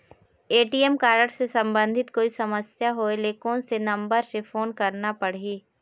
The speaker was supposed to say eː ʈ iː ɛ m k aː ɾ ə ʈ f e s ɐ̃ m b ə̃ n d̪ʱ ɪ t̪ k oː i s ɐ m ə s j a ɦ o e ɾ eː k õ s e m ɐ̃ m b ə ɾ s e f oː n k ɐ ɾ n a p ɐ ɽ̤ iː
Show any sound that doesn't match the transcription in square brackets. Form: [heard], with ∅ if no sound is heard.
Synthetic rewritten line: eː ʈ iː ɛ m k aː ɾ ə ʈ [s] e s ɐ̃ m b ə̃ n d̪ʱ ɪ t̪ k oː i s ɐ m ə s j a ɦ o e [l] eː k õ s e [n] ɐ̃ m b ə ɾ s e f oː n k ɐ ɾ n a p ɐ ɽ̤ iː

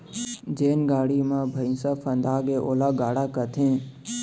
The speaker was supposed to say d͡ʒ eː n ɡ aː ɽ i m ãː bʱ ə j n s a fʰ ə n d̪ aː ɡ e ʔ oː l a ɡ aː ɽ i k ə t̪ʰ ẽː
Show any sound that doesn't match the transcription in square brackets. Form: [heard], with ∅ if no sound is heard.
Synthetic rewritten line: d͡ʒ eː n ɡ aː ɽ i m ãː bʱ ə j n s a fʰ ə n d̪ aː ɡ e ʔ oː l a ɡ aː ɽ [a] k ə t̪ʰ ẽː

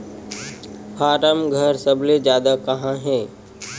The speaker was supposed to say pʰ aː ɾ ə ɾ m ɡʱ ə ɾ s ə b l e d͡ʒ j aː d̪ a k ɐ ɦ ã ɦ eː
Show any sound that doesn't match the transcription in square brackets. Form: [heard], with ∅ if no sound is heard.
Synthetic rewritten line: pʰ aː ɾ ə [∅] m ɡʱ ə ɾ s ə b l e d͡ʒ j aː d̪ a k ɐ ɦ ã ɦ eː

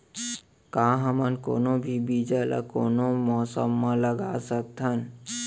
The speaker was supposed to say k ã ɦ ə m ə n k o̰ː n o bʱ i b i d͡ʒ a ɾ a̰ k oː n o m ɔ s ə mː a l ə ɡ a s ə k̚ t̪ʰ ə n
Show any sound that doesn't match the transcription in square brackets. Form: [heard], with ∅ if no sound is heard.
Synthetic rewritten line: k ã ɦ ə m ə n k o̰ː n o bʱ i b i d͡ʒ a [l] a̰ k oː n o m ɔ s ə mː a l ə ɡ a s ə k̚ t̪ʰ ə n

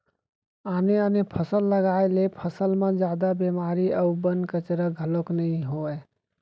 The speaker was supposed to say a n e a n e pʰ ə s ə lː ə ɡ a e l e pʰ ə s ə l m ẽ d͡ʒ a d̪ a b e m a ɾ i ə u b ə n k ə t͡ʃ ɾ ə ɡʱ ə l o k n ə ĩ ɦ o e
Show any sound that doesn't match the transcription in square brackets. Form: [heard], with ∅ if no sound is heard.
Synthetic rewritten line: a n e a n e pʰ ə s ə lː ə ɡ a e l e pʰ ə s ə l m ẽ d͡ʒ a d̪ a b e m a ɾ i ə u b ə n k ə t͡ʃ ɾ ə ɡʱ ə l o k n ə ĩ ɦ o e

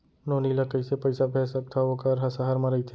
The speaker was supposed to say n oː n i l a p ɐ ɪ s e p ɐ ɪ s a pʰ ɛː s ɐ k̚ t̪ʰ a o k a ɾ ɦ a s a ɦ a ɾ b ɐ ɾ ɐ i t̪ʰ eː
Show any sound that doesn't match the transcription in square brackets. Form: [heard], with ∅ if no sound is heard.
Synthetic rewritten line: n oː n i l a [k] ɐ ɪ s e p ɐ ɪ s a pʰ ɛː s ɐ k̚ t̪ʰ a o k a ɾ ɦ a s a ɦ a ɾ [m] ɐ ɾ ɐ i t̪ʰ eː

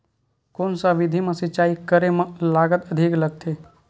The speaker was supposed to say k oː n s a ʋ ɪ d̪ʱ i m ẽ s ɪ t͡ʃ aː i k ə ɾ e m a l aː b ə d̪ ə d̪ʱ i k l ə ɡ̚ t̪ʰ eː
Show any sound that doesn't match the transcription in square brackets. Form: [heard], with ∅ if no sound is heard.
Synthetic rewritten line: k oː n s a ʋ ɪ d̪ʱ i m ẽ s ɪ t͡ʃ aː i k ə ɾ e m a l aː [ɡ] ə [t̪] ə d̪ʱ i k l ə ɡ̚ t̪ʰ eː

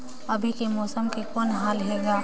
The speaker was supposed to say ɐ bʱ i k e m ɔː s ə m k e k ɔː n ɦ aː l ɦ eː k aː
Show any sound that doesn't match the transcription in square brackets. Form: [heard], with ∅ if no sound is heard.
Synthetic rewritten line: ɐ bʱ i k e m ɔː s ə m k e k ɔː n ɦ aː l ɦ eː [ɡ] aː

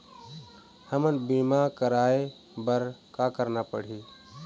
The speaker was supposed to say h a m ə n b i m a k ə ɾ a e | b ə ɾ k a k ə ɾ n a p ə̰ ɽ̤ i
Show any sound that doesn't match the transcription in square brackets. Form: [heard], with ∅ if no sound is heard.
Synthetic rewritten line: h [ə] m ə n b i m a k ə ɾ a e | b ə ɾ k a k ə ɾ n a p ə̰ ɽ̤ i

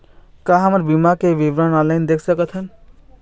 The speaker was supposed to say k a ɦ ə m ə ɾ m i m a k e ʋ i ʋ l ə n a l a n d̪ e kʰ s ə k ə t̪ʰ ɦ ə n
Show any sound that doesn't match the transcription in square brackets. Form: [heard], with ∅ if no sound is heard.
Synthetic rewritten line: k a ɦ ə m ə ɾ [b] i m a k e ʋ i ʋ [ɾ] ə n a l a n d̪ e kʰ s ə k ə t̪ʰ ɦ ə n

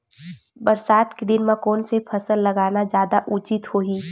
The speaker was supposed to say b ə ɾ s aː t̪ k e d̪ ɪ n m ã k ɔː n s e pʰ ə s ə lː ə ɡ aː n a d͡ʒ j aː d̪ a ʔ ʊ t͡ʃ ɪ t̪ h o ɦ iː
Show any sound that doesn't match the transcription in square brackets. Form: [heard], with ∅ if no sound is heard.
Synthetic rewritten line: b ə ɾ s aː t̪ k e d̪ ɪ n m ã k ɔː n s e pʰ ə s ə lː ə ɡ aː n a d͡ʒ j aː d̪ a ʔ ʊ t͡ʃ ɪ t̪ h o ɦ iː

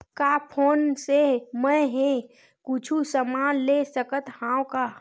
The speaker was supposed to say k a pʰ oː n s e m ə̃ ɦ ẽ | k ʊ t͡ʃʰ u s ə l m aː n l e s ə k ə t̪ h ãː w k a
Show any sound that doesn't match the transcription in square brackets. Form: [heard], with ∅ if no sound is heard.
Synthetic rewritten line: k a pʰ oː n s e m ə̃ ɦ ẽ | k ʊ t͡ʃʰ u s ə [∅] m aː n l e s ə k ə t̪ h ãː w k a

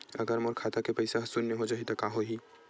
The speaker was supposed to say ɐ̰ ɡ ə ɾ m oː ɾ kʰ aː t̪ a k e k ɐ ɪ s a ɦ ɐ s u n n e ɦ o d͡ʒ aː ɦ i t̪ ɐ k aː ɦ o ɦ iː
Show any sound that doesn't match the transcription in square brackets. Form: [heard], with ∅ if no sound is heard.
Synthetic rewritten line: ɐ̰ ɡ ə ɾ m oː ɾ kʰ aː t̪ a k e [p] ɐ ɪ s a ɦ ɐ s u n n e ɦ o d͡ʒ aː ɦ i t̪ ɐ k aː ɦ o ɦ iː

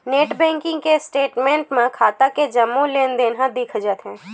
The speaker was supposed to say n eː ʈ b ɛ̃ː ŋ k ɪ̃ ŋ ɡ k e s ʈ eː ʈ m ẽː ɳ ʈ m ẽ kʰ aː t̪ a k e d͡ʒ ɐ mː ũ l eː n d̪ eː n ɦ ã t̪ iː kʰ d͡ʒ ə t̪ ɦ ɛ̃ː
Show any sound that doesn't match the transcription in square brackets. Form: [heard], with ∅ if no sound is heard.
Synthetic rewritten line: n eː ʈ b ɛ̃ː ŋ k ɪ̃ ŋ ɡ k e s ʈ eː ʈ m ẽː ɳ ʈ m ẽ kʰ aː t̪ a k e d͡ʒ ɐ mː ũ l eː n d̪ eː n ɦ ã [d̪] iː kʰ d͡ʒ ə t̪ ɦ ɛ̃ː

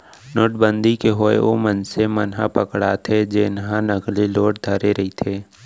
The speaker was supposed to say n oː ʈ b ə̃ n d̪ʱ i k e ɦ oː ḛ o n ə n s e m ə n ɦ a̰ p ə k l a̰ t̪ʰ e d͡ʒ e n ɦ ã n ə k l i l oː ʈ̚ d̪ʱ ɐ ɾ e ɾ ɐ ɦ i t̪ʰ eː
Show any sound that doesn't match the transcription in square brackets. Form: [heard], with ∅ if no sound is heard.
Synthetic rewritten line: n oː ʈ b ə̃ n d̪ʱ i k e ɦ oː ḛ o [m] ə n s e m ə n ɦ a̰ p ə k [ɽ] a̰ t̪ʰ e d͡ʒ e n ɦ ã n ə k l i l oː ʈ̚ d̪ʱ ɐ ɾ e ɾ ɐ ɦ i t̪ʰ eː

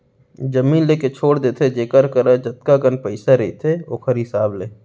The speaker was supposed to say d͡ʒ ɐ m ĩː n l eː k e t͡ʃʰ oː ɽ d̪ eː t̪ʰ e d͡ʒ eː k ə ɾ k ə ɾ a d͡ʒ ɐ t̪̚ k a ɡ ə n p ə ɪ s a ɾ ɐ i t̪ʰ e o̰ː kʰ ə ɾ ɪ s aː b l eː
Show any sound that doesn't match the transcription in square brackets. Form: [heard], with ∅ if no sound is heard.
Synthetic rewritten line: d͡ʒ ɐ m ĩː n l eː k e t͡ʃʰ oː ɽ d̪ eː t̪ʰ e d͡ʒ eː k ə ɾ k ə ɾ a d͡ʒ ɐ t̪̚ k a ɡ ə n p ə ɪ s a ɾ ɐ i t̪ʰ e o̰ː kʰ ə ɾ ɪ s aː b l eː

